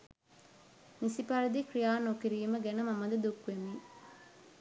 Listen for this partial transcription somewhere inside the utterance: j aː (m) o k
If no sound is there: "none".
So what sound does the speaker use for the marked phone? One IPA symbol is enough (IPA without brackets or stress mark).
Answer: n